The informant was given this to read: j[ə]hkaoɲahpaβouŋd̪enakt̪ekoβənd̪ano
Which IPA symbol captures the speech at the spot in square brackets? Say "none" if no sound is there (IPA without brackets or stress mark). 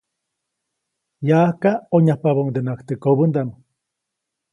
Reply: a